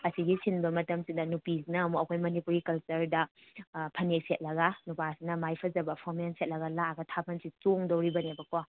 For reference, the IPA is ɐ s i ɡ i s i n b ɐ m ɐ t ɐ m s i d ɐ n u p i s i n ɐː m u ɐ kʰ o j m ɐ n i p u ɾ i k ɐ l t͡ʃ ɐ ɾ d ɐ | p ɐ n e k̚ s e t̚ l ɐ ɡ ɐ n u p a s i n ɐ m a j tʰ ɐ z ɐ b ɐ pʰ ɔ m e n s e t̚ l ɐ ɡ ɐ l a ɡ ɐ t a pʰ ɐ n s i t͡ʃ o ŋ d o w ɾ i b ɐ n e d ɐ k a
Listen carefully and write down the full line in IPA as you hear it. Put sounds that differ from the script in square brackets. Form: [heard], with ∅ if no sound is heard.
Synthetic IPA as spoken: ɐ s i ɡ i s i n b ɐ m ɐ t ɐ m s i d ɐ n u p i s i n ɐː m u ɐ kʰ o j m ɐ n i p u ɾ i k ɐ l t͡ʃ ɐ ɾ d ɐ | [pʰ] ɐ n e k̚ s e t̚ l ɐ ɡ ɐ n u p a s i n ɐ m a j [pʰ] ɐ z ɐ b ɐ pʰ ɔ m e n s e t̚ l ɐ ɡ ɐ l a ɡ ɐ [tʰ] a pʰ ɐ n s i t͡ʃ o ŋ d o w ɾ i b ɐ n e [b] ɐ k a

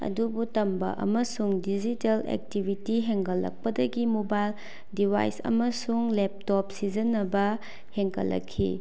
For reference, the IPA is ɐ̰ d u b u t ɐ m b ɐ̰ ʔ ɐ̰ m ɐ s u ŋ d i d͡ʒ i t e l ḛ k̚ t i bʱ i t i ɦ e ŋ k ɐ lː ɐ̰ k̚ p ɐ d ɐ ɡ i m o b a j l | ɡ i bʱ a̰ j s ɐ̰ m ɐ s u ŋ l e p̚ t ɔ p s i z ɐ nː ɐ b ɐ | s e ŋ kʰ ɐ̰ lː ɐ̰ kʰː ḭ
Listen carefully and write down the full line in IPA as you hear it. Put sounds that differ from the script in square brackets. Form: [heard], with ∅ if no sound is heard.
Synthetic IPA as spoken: ɐ̰ d u b u t ɐ m b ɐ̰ ʔ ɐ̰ m ɐ s u ŋ d i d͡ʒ i t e l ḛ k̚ t i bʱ i t i ɦ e ŋ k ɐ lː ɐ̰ k̚ p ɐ d ɐ ɡ i m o b a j l | [d] i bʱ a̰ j s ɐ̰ m ɐ s u ŋ l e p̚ t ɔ p s i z ɐ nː ɐ b ɐ | [h] e ŋ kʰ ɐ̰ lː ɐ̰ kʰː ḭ

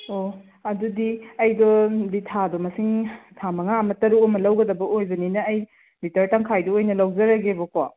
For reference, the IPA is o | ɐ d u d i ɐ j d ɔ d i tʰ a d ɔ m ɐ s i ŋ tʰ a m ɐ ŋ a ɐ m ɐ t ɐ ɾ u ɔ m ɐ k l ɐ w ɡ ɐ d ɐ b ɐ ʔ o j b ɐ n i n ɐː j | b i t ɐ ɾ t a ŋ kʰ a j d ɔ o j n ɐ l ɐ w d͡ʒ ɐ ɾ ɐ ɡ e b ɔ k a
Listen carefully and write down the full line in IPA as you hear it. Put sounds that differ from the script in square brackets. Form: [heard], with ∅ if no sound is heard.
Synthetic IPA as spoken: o | ɐ d u d i ɐ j d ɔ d i tʰ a d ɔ m ɐ s i ŋ tʰ a m ɐ ŋ a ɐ m ɐ t ɐ ɾ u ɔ m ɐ [∅] l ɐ w ɡ ɐ d ɐ b ɐ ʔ o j b ɐ n i n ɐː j | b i t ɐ ɾ t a ŋ kʰ a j d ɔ o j n ɐ l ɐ w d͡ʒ ɐ ɾ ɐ ɡ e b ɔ k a

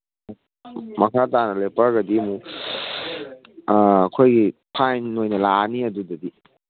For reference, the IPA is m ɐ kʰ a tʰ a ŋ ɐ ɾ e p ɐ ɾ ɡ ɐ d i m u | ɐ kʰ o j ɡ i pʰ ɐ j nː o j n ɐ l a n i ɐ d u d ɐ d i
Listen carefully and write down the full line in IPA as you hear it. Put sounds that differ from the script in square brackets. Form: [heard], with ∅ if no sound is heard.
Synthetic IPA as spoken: m ɐ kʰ a [t] a [n] ɐ [l] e p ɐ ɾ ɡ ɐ d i m u | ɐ kʰ o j ɡ i pʰ [a] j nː o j n ɐ l a n i ɐ d u d ɐ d i

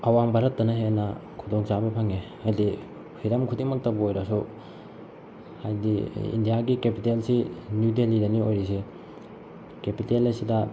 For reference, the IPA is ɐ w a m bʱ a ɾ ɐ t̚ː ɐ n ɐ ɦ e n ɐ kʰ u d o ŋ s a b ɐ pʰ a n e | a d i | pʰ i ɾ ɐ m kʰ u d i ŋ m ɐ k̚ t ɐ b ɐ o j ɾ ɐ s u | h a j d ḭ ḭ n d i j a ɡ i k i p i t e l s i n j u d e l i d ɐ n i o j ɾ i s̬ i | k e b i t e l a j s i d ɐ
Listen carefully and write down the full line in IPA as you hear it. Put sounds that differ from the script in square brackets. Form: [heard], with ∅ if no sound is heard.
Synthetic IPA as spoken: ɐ w a m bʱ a ɾ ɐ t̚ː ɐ n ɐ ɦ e n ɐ kʰ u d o ŋ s a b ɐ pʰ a [ŋ] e | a d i | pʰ i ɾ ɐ m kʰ u d i ŋ m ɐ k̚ t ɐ b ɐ o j ɾ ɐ s u | h a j d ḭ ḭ n d i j a ɡ i k [e] p i t e l s i n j u d e l i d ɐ n i o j ɾ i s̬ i | k e [p] i t e l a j s i d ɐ

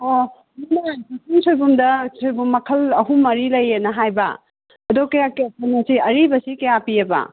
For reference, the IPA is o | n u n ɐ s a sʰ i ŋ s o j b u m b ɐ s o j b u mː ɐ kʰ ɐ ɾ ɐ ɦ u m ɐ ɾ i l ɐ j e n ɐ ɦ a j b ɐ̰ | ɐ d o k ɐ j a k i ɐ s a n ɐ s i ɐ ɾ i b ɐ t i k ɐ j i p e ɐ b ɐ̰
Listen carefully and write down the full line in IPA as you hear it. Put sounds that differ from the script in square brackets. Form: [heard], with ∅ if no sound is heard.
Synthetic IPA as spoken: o | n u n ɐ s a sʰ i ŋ s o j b u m [d] ɐ s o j b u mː ɐ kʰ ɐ [l] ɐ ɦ u m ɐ ɾ i l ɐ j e n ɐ ɦ a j b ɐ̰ | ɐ d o k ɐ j a k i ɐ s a n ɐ s i ɐ ɾ i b ɐ [s] i k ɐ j [a] p [i] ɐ b ɐ̰

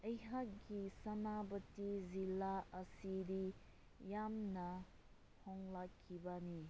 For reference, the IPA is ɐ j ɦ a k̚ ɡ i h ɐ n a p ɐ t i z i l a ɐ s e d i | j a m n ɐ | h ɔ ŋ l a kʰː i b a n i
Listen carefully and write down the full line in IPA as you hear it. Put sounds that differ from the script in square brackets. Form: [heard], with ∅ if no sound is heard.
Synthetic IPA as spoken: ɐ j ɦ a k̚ ɡ i [s] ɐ n a [b] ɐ t i z i l a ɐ s [i] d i | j a m n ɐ | h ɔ ŋ l a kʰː i b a n i

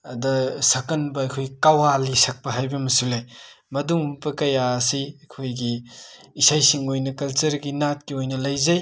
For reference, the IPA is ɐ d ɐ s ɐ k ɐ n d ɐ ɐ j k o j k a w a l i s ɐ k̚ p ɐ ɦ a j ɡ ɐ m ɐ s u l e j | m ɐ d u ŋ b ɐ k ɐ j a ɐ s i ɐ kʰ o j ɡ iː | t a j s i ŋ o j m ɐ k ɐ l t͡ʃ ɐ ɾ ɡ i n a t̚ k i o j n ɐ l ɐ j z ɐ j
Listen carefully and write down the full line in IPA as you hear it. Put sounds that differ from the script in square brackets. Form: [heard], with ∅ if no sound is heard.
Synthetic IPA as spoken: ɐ d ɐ s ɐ k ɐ n [b] ɐ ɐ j [kʰ] o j k a w a l i s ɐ k̚ p ɐ ɦ a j [b] ɐ m ɐ s u l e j | m ɐ d u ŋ b ɐ k ɐ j a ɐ s i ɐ kʰ o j ɡ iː | [s] a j s i ŋ o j [n] ɐ k ɐ l t͡ʃ ɐ ɾ ɡ i n a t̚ k i o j n ɐ l ɐ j z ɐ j

